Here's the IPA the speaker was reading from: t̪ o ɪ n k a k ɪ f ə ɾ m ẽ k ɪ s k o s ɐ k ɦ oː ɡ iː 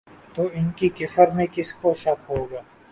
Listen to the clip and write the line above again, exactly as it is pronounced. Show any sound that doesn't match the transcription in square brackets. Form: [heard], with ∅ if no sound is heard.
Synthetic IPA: t̪ o ɪ n k [i] k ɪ f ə ɾ m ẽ k ɪ s k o [ʃ] ɐ k ɦ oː ɡ [aː]